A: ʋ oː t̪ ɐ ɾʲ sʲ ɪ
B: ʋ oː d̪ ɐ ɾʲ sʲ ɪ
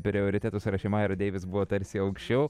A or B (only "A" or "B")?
A